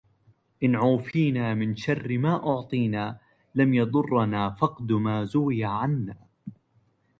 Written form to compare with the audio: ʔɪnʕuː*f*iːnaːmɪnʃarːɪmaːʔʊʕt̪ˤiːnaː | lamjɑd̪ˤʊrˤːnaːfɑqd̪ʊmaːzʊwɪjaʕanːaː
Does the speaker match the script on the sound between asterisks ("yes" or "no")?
yes